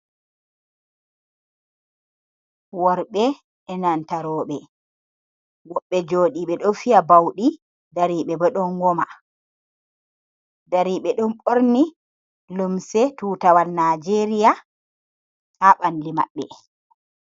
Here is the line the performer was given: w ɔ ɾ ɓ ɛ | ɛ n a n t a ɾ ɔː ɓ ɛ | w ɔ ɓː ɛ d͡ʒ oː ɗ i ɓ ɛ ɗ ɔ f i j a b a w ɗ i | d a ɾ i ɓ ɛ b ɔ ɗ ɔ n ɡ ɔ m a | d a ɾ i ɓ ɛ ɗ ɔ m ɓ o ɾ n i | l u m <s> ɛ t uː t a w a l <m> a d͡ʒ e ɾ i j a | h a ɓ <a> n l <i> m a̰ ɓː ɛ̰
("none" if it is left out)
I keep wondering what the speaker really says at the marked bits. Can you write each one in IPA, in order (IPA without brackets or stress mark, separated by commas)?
s, n, a, i